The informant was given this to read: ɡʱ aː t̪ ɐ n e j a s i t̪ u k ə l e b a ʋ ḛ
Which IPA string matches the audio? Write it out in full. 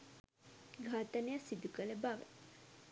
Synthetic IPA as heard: ɡʱ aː t̪ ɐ n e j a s i d̪ u k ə l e b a ʋ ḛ